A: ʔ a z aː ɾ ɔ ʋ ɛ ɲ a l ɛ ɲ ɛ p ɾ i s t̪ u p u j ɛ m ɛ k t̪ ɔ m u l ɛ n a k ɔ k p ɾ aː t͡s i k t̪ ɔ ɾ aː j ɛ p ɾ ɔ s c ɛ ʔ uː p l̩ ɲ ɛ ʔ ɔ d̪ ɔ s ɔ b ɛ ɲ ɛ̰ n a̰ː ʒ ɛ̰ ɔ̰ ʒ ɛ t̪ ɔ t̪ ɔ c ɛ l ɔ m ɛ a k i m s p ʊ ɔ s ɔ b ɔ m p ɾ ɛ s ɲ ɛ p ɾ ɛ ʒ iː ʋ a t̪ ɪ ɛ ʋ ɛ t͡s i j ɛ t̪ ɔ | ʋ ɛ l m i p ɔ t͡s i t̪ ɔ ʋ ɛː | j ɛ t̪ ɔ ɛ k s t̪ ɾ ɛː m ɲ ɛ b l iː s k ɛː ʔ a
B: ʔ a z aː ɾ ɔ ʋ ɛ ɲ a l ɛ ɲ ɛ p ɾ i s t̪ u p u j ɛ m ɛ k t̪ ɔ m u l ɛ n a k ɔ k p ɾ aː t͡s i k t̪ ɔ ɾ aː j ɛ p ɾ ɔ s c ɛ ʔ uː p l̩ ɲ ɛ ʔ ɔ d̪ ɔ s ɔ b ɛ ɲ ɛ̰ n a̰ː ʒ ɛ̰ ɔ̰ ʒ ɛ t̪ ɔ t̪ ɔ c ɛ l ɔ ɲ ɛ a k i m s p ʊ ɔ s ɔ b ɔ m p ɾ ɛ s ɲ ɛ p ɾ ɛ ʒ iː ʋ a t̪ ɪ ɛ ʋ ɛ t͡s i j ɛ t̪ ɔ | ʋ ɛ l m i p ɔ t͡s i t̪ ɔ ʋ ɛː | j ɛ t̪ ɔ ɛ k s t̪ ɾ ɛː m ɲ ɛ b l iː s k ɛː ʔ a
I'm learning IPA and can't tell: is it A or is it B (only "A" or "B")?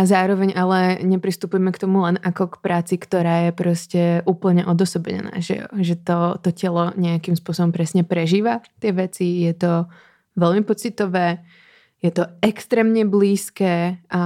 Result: B